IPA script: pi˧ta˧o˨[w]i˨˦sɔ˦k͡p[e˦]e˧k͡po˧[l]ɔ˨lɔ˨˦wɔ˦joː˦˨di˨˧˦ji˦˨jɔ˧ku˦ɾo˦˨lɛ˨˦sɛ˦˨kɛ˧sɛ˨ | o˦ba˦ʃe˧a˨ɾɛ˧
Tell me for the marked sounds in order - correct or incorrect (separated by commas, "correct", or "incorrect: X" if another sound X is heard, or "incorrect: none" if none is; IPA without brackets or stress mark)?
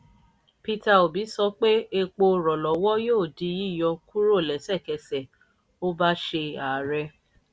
incorrect: b, correct, incorrect: ɾ